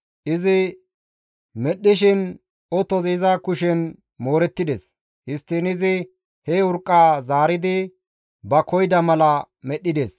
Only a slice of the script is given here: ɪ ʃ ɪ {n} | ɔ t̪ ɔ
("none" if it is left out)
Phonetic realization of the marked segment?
n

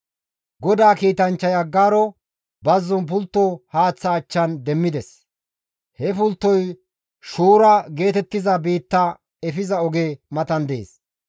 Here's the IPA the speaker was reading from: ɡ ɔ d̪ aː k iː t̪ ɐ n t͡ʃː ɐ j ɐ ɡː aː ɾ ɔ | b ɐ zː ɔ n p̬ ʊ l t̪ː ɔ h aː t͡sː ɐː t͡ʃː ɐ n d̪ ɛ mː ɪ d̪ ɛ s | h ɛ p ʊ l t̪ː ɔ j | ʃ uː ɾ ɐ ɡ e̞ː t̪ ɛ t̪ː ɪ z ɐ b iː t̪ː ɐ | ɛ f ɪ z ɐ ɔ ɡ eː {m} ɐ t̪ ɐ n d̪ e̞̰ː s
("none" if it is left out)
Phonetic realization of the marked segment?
m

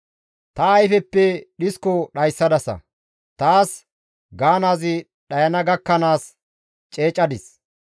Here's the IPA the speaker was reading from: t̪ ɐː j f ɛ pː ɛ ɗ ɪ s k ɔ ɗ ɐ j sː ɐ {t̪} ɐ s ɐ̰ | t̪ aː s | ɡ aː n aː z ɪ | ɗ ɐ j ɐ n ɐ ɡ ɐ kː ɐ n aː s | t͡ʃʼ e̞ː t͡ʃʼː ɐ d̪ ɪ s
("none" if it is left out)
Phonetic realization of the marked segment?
d̪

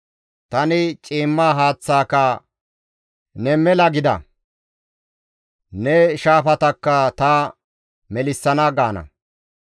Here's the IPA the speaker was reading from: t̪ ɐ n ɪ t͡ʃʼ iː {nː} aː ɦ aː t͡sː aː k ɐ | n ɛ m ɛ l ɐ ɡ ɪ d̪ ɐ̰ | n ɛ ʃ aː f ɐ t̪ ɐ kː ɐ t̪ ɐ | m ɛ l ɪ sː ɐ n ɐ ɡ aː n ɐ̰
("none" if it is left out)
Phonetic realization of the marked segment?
mː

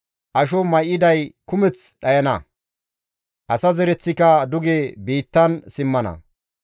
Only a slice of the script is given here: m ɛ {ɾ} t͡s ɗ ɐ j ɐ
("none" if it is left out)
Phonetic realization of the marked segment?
none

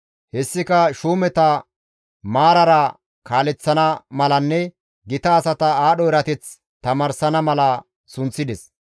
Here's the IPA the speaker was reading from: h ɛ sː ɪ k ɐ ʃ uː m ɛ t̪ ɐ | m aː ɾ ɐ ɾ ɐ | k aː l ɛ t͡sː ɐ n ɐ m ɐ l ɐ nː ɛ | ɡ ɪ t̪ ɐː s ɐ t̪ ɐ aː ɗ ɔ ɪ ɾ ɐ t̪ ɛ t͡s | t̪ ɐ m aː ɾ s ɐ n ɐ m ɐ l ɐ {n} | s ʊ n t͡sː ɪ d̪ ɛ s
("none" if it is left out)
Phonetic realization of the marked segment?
none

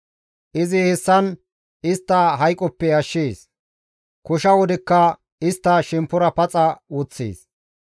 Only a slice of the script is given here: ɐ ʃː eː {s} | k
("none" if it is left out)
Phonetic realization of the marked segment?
s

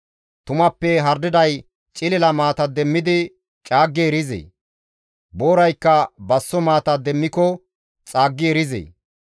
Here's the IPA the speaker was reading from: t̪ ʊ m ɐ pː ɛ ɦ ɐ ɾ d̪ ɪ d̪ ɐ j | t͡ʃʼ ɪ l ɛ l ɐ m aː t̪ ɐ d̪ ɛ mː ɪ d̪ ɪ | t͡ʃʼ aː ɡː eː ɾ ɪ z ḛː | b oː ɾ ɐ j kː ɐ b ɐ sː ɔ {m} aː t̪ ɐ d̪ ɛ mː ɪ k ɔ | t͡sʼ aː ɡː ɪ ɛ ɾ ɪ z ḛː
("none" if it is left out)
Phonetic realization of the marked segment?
m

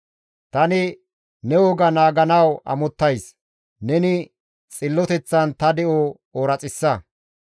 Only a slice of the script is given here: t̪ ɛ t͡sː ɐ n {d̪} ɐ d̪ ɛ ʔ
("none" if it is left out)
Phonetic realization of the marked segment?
t̪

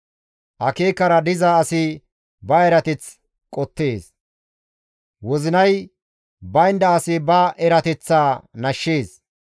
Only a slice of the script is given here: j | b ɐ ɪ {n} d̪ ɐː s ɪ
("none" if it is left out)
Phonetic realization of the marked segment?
n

